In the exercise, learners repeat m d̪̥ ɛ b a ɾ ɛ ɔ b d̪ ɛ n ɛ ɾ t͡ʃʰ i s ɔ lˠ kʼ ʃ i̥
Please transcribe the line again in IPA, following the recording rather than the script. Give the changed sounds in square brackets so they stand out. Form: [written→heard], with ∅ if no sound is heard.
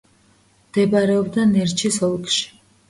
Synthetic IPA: m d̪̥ ɛ b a ɾ ɛ ɔ b d̪ [ɛ→a] n ɛ ɾ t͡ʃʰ i s ɔ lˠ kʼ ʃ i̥